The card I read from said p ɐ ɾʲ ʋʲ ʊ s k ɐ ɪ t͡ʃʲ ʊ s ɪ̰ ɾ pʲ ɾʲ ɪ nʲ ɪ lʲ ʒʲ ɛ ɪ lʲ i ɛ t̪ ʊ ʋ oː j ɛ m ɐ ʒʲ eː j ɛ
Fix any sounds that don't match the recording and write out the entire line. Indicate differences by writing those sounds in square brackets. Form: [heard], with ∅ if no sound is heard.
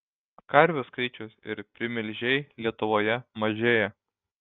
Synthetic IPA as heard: [k] ɐ ɾʲ ʋʲ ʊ s k ɐ ɪ t͡ʃʲ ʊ s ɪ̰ ɾ pʲ ɾʲ ɪ [mʲ] ɪ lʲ ʒʲ ɛ ɪ lʲ i ɛ t̪ ʊ ʋ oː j ɛ m ɐ ʒʲ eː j ɛ